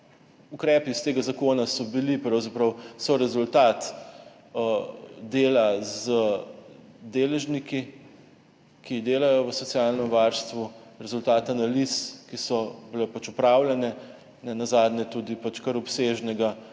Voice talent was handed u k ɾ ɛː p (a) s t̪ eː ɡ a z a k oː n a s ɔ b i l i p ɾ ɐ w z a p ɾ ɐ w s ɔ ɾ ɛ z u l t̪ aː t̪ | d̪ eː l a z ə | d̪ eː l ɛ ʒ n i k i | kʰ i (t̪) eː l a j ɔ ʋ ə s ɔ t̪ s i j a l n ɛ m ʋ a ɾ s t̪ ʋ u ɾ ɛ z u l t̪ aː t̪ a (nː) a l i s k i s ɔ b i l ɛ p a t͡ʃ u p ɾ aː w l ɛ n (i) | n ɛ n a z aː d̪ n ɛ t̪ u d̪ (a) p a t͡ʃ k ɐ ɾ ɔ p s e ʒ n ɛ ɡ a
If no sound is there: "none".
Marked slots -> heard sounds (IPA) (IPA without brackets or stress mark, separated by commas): i, d̪, n, ɛ, i